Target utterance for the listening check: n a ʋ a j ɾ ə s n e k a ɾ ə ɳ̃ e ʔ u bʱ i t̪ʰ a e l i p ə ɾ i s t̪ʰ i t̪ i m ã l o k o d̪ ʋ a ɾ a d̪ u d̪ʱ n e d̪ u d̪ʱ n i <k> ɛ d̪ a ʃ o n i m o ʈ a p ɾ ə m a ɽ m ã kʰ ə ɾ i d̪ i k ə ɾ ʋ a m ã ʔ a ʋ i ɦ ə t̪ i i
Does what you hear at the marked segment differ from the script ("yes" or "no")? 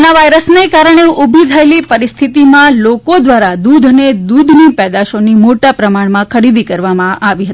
yes